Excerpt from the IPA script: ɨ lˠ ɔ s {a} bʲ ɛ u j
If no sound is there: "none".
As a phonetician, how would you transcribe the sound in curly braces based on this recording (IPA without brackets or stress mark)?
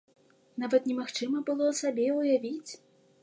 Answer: a